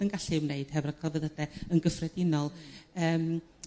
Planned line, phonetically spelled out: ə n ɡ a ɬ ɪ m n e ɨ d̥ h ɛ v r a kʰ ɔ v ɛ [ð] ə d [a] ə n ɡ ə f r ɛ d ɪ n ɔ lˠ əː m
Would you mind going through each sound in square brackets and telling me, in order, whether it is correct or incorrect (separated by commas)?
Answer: correct, incorrect